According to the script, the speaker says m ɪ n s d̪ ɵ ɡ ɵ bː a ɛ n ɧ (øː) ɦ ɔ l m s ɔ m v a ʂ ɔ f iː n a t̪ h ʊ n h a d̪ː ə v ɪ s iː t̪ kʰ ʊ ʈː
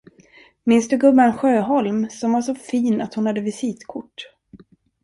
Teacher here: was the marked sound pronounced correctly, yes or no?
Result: yes